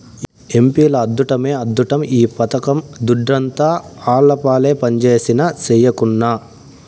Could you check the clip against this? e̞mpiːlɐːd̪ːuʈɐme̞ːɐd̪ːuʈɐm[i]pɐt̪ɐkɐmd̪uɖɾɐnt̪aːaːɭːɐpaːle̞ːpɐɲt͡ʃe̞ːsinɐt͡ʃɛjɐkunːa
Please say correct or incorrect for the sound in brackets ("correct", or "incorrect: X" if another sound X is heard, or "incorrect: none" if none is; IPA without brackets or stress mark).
incorrect: iː